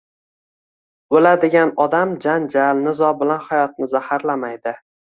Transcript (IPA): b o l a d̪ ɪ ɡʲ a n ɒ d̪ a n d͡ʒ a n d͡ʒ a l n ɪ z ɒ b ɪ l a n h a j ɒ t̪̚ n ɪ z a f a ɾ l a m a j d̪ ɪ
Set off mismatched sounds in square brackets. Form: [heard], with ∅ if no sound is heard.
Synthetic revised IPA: b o l a d̪ ɪ ɡʲ a n ɒ d̪ a [m] d͡ʒ a n d͡ʒ a l n ɪ z ɒ b ɪ l a n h a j ɒ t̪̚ n ɪ z a [h] a ɾ l a m a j d̪ ɪ